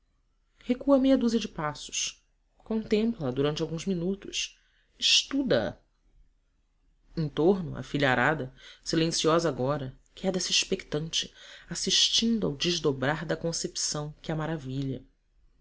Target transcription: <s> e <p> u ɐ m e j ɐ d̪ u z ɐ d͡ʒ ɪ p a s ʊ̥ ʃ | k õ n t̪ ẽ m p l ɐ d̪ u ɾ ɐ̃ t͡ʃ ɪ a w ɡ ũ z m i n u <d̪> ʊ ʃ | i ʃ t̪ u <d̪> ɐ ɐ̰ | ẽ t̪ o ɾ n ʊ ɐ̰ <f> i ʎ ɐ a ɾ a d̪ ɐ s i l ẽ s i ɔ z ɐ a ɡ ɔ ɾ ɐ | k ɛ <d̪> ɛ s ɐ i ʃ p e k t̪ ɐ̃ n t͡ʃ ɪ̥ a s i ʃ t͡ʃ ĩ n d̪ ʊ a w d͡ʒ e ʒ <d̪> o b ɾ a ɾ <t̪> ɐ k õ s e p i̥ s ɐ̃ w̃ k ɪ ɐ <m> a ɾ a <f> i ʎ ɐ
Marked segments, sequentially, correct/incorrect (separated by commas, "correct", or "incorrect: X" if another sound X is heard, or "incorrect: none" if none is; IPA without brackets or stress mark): incorrect: h, incorrect: k, incorrect: t̪, correct, correct, correct, correct, incorrect: d̪, correct, incorrect: v